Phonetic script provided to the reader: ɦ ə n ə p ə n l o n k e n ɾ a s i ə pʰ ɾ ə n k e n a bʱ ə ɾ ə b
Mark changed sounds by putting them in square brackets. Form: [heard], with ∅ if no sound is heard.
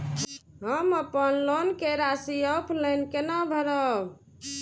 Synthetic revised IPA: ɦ ə [m] ə p ə n l o n k e [∅] ɾ a s i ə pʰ [l] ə n k e n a bʱ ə ɾ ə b